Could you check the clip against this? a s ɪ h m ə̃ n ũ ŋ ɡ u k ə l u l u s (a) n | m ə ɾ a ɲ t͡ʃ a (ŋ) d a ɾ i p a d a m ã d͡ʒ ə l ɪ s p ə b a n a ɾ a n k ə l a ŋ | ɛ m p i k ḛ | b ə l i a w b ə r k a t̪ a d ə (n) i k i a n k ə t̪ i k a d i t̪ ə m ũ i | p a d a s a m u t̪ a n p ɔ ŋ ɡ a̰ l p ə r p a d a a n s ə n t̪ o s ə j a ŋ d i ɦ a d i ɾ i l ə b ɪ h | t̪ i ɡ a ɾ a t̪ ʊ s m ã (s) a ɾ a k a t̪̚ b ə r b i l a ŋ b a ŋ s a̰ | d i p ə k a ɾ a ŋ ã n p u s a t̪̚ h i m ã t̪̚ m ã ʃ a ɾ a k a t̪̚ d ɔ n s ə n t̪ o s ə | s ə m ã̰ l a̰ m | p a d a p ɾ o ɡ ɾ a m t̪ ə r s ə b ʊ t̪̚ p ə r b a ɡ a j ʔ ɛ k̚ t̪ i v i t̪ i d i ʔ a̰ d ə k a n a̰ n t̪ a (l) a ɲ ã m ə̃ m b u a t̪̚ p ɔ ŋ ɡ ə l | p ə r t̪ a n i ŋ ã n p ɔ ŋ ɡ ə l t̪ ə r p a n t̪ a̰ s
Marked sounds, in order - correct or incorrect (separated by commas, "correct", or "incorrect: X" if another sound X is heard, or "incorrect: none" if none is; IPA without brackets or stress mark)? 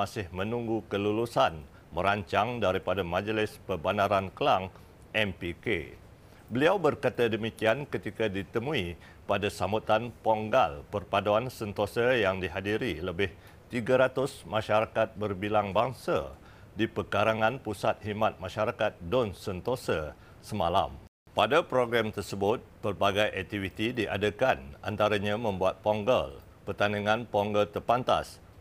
correct, correct, incorrect: m, incorrect: ʃ, incorrect: ɾ